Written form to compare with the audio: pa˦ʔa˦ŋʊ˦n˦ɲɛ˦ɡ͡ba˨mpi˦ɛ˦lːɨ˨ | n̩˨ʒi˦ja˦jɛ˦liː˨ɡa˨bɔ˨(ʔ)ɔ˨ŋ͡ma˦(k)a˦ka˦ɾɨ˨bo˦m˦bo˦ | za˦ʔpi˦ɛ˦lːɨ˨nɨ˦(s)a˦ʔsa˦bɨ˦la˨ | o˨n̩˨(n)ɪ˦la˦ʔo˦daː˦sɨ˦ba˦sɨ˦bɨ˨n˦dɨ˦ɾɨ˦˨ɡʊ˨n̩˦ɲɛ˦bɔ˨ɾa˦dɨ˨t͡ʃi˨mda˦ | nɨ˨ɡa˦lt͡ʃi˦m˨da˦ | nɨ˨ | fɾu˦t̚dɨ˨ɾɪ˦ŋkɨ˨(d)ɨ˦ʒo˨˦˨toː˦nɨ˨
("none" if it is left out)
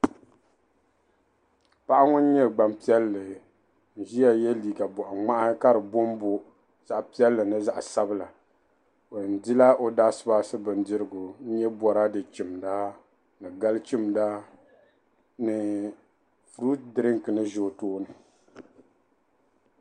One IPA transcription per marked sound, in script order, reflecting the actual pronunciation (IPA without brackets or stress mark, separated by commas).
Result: ʔ, ʔ, z, d, n